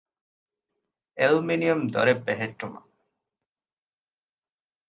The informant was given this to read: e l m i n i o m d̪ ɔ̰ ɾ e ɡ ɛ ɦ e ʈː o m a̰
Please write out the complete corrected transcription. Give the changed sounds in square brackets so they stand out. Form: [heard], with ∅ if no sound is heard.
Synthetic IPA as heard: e l m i n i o m d̪ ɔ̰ ɾ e [b] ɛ ɦ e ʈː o m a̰